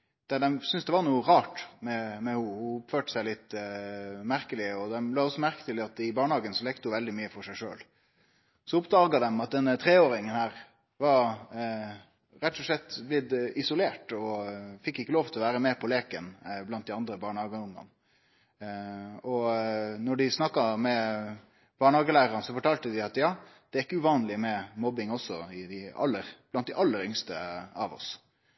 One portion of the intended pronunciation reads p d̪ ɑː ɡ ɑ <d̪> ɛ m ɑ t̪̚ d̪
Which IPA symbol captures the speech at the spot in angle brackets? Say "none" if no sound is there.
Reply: d̪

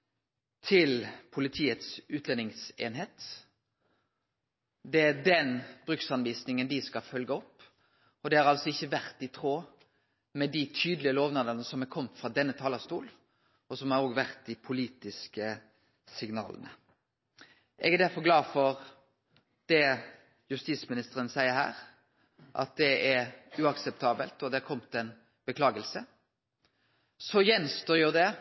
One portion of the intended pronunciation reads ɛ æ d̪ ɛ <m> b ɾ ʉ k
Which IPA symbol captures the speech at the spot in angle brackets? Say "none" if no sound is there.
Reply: n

